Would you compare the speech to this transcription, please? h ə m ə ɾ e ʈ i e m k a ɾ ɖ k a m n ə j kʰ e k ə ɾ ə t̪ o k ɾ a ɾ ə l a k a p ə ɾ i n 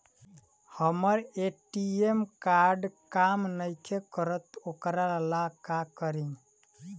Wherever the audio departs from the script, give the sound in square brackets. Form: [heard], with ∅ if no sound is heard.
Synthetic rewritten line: h ə m ə ɾ e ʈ i e m k a ɾ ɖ k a m n ə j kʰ e k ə ɾ ə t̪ o k ɾ a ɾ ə l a k a [k] ə ɾ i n